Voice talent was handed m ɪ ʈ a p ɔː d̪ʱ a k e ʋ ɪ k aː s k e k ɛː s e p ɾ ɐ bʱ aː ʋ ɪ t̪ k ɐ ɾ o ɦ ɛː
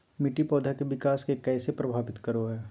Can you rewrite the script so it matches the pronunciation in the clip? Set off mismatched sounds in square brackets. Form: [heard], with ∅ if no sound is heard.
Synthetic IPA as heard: m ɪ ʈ [i] p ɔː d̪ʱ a k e ʋ ɪ k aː s k e k ɛː s e p ɾ ɐ bʱ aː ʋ ɪ t̪ k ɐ ɾ o ɦ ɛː

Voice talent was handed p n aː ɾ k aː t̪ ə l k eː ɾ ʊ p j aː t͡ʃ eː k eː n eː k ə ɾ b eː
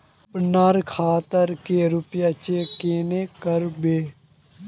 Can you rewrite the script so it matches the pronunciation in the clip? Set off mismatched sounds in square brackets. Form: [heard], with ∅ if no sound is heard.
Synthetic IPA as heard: p n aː ɾ [kʰ] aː t̪ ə [ɾ] k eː ɾ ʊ p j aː t͡ʃ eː k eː n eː k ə ɾ b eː

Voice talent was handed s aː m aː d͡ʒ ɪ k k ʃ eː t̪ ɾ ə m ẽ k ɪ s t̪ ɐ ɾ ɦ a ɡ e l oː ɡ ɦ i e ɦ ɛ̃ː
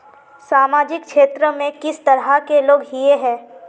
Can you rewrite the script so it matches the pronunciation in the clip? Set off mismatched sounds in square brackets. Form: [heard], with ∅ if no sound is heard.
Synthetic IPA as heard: s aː m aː d͡ʒ ɪ k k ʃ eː t̪ ɾ ə m ẽ k ɪ s t̪ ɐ ɾ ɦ a [k] e l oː ɡ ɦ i e ɦ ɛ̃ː

